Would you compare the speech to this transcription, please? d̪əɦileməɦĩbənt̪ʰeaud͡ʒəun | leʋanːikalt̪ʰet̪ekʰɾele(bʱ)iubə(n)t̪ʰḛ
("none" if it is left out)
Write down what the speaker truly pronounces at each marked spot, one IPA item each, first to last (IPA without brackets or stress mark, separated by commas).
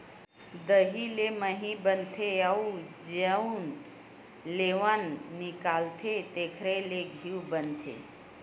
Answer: ɡʱ, n